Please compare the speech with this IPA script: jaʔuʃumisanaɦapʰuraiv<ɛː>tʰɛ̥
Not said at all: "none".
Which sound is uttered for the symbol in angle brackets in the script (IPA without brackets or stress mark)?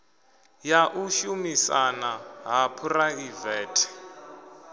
ɛː